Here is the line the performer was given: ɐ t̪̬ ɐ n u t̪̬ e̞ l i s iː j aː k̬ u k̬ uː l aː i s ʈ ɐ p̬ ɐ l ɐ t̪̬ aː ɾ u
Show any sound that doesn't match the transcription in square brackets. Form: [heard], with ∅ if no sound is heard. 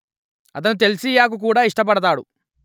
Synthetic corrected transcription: ɐ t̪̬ ɐ n u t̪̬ e̞ l i s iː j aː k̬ u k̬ uː [ɽ] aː i [ʂ] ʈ ɐ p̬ ɐ [ɽ] ɐ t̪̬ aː [ɽ] u